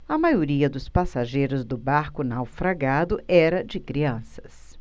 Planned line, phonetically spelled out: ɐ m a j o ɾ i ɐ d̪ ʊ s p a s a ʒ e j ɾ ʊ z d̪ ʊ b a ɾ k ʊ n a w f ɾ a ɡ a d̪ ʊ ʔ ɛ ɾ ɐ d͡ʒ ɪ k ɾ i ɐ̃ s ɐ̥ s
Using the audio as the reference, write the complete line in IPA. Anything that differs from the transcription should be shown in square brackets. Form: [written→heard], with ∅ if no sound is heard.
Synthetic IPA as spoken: ɐ m a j o ɾ i ɐ d̪ ʊ s p a s a ʒ e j ɾ ʊ z d̪ ʊ b a ɾ k ʊ n a w f ɾ a ɡ a d̪ ʊ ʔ ɛ ɾ ɐ d͡ʒ ɪ k ɾ i ɐ̃ s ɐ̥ s